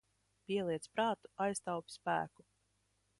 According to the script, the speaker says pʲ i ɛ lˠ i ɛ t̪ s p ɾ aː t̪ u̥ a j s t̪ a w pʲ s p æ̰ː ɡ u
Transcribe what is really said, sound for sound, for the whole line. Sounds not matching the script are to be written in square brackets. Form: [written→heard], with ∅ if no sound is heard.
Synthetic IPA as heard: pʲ i ɛ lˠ i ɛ t̪ s p ɾ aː t̪ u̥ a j s t̪ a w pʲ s p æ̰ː [ɡ→k] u